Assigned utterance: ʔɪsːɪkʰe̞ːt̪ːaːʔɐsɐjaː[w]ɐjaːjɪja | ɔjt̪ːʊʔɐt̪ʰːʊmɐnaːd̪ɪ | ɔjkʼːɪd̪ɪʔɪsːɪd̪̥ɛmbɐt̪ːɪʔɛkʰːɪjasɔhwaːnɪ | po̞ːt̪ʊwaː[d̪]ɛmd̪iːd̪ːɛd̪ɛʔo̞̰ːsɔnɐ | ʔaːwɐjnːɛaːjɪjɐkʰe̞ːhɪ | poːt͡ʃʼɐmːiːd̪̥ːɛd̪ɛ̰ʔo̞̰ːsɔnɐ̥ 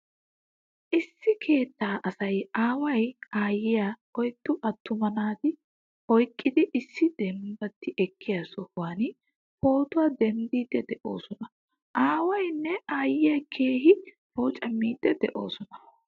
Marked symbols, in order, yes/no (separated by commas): yes, yes